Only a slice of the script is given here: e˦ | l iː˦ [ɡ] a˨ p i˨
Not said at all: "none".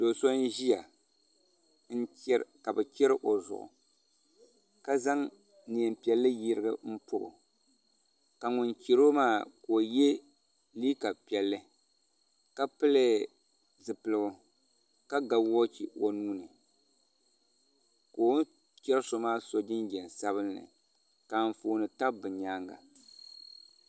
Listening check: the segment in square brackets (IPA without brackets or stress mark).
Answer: k